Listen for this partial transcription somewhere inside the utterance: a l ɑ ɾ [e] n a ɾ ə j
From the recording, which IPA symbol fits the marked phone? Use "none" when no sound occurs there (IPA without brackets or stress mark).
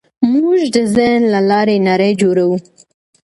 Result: e